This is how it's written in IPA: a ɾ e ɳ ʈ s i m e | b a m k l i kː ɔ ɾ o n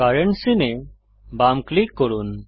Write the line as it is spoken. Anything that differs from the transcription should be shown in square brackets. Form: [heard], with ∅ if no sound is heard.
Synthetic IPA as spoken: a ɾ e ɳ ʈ s i [n] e | b a m k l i kː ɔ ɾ [u] n

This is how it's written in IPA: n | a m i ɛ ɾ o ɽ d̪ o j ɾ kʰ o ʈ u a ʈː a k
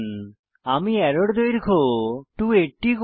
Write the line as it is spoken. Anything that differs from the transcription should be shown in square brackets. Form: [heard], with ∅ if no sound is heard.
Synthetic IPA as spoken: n | a m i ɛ ɾ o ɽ d̪ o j ɾ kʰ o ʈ u [e] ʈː [i] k

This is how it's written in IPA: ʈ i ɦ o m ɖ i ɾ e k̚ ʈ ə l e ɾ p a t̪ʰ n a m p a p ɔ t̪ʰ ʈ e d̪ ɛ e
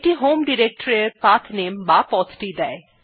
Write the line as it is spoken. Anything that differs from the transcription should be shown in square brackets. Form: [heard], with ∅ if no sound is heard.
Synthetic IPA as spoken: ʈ i ɦ o m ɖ i ɾ e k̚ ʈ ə [ɾ] e ɾ p a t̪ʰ n [e] m [b] a p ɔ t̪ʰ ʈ [i] d̪ ɛ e

